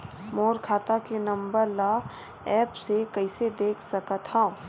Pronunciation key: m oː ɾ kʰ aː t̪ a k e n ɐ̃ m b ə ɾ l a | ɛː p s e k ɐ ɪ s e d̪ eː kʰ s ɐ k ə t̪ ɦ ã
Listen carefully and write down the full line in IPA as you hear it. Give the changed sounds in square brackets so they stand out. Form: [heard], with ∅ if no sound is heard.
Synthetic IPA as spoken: m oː ɾ kʰ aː t̪ a k e n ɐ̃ m b ə ɾ l a | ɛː p s e k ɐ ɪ s e d̪ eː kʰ s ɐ k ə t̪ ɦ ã